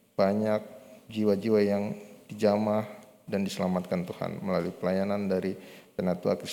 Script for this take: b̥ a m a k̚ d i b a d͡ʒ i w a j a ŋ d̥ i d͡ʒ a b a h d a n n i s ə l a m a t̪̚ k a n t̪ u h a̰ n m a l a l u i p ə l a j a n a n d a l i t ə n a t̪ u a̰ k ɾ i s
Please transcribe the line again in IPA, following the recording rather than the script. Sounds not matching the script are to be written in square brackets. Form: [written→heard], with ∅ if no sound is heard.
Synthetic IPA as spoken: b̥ a [m→ɲ] a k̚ [d→d͡ʒ] i [b→w] a d͡ʒ i w a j a ŋ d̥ i d͡ʒ a [b→m] a h d a n [n→d] i s ə l a m a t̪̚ k a n t̪ u h a̰ n m [a→ə] l a l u i p ə l a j a n a n d a [l→ɾ] i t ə n a t̪ u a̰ k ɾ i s